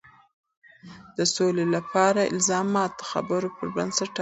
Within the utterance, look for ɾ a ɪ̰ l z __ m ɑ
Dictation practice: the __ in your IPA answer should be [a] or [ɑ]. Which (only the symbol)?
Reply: ɑ